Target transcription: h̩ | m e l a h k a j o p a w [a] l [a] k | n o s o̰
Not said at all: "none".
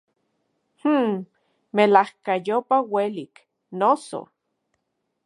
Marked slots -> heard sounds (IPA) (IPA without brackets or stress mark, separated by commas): e, i